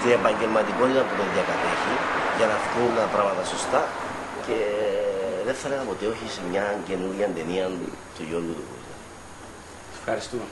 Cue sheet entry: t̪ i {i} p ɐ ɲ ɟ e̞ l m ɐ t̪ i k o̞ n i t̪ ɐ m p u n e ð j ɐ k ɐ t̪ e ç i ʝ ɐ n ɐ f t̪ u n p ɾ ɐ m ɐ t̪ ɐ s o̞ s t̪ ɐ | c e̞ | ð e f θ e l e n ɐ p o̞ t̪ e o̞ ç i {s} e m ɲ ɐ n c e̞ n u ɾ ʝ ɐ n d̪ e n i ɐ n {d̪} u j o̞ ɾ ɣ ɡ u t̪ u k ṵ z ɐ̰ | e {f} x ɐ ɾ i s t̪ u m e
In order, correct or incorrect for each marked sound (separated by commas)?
incorrect, correct, incorrect, correct